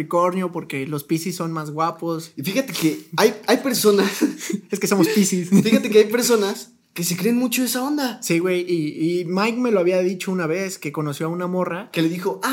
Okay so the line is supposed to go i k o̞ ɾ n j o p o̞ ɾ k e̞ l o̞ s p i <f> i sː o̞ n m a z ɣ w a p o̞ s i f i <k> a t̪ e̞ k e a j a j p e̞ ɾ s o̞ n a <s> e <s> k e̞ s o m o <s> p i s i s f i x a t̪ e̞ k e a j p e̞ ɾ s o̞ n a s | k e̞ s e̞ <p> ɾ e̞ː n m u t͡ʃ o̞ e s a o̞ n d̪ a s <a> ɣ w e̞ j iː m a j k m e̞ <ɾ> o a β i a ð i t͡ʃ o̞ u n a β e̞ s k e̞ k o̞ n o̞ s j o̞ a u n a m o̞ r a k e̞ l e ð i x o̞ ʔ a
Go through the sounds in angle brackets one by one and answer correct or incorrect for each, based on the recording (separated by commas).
incorrect, incorrect, correct, correct, correct, incorrect, incorrect, incorrect